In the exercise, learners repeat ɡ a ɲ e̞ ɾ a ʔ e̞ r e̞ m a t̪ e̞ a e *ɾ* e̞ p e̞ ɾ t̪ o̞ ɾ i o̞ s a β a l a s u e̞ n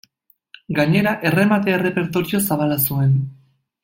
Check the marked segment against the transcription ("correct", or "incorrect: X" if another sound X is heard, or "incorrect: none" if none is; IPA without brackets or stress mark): incorrect: r